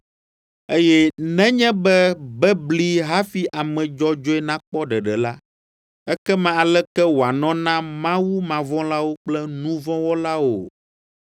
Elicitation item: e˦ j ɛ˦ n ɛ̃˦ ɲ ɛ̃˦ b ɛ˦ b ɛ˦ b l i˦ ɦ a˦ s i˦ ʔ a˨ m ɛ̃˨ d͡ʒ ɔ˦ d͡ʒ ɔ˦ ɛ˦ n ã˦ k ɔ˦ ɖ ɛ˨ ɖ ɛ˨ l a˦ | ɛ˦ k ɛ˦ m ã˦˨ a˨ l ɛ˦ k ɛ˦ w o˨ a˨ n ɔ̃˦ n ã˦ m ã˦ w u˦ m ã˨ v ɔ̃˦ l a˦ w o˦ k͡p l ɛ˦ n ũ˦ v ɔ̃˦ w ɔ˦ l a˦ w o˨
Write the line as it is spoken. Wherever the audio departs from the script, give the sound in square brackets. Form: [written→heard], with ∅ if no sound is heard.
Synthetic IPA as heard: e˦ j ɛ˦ n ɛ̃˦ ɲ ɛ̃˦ b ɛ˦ b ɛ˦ b l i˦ ɦ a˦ [s→f] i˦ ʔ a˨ m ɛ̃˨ d͡ʒ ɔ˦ d͡ʒ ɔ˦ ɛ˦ n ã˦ [k→k͡p] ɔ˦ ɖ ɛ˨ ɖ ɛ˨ l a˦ | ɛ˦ k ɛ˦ m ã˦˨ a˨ l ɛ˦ k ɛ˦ w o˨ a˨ n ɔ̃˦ n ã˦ m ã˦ w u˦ m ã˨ v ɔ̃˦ l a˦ w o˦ k͡p l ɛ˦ n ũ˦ v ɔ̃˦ w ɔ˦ l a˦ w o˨